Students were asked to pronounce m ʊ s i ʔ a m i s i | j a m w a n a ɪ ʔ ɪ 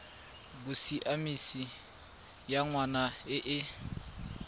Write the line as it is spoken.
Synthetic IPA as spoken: b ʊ s i ʔ a m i s i | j a ŋ w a n a ɪ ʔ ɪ